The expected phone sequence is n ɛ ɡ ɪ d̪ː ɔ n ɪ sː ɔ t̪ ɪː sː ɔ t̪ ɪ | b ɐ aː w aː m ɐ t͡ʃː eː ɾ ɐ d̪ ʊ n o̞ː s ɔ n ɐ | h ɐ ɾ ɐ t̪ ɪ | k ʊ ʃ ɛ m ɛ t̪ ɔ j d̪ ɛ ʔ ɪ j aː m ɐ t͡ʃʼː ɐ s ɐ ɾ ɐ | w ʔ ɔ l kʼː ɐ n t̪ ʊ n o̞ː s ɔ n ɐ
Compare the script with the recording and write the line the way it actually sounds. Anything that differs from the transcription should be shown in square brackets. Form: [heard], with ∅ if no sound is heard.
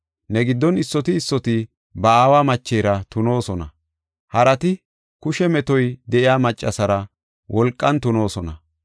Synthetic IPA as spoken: n ɛ ɡ ɪ d̪ː ɔ n ɪ sː ɔ t̪ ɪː sː ɔ t̪ ɪ | b ɐ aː w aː m ɐ t͡ʃː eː ɾ ɐ [t̪] ʊ n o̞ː s ɔ n ɐ | h ɐ ɾ ɐ t̪ ɪ | k ʊ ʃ ɛ m ɛ t̪ ɔ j d̪ ɛ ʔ ɪ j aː m ɐ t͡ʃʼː ɐ s ɐ ɾ ɐ | w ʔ ɔ l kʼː ɐ n t̪ ʊ n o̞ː s ɔ n ɐ